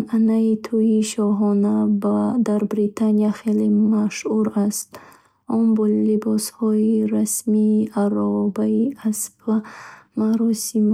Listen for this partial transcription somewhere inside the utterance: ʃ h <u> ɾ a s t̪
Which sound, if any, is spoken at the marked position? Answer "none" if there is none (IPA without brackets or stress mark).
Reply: u